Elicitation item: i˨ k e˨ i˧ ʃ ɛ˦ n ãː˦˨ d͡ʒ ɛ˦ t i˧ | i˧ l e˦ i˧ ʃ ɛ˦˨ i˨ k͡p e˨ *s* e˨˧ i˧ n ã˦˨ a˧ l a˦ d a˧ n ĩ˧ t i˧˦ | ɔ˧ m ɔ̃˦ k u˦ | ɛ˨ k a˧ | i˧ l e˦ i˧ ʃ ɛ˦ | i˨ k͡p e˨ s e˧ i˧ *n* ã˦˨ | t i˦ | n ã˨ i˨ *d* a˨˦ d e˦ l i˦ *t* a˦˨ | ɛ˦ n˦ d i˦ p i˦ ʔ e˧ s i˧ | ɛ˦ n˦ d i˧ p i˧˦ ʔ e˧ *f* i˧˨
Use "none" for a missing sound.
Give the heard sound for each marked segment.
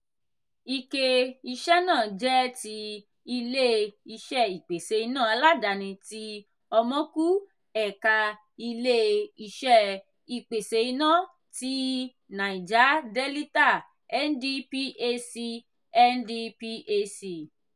s, n, d͡ʒ, t, s

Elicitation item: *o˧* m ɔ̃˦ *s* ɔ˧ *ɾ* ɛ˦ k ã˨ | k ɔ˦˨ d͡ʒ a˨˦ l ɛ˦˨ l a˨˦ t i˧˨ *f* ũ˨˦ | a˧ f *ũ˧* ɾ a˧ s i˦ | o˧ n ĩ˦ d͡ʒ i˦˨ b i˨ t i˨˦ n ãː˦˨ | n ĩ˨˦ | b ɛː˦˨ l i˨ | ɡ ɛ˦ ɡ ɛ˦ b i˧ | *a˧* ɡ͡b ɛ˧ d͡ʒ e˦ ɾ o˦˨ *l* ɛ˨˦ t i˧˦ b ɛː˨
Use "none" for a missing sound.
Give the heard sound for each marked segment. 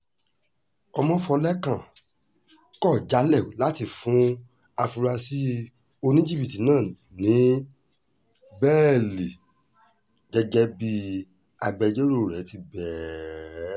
ɔ˧, f, l, f, u˧, a˧, ɾ

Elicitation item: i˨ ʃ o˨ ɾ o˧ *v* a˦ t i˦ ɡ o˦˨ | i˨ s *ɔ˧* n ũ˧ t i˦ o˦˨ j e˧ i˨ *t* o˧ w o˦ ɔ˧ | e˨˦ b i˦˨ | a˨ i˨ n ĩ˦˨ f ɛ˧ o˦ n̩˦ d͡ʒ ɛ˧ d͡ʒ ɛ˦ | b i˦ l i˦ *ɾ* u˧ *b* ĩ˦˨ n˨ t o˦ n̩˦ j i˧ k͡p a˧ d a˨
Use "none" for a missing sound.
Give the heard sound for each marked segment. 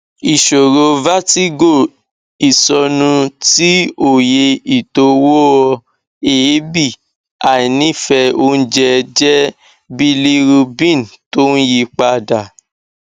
v, ɔ˧, t, ɾ, b

